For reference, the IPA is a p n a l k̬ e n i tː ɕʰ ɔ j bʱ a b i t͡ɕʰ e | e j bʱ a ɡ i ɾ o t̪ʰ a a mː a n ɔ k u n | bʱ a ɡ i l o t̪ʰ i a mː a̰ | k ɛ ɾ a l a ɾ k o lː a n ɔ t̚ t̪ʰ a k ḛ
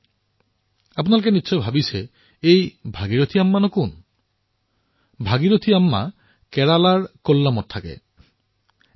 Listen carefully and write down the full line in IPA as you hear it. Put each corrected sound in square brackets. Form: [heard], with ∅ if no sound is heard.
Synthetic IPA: a p n a l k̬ e n i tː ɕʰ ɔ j bʱ a b i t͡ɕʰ e | e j bʱ a ɡ i ɾ o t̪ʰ [i] a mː a n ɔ k u n | bʱ a ɡ i [ɾ] o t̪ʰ i a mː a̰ | k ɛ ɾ a l a ɾ k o lː a [m] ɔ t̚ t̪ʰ a k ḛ